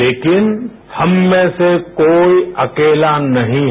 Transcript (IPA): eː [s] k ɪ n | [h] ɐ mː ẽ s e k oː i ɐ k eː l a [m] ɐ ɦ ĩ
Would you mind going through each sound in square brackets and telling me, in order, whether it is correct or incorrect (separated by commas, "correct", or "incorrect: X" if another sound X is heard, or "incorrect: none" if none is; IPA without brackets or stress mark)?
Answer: incorrect: none, correct, incorrect: n